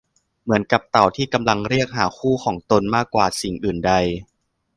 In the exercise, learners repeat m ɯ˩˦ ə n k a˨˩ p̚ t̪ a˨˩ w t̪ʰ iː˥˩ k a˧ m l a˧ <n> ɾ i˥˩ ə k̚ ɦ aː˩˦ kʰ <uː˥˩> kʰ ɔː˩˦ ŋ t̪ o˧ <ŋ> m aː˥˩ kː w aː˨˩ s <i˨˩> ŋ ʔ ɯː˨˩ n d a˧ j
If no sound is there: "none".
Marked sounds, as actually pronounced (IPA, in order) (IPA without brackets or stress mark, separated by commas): ŋ, uː˥˩, n, i˨˩